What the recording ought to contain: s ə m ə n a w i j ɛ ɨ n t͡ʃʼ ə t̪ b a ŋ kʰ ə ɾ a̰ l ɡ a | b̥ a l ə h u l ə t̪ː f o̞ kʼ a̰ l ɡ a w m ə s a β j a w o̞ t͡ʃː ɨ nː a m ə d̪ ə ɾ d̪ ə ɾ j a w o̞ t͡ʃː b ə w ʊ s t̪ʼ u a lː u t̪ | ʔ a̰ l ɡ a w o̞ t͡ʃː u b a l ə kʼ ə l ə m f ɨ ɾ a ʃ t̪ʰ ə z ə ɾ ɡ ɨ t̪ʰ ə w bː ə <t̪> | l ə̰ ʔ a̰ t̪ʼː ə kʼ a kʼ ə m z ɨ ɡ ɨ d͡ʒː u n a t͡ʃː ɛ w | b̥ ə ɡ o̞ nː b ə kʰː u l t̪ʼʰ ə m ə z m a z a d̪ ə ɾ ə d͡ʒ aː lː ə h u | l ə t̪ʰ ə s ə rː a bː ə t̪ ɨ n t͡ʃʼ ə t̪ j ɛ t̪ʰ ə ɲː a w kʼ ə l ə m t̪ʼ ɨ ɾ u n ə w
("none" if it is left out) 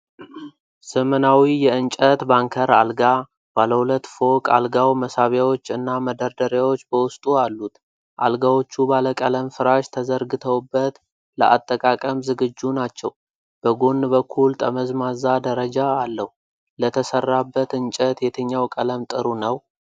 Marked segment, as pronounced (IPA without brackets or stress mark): t̪